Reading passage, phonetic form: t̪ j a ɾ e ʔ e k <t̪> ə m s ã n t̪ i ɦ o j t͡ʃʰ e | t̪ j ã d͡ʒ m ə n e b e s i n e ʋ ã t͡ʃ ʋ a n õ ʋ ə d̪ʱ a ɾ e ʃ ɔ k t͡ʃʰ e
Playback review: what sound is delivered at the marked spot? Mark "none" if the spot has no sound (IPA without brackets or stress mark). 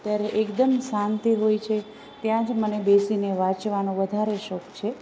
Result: d̪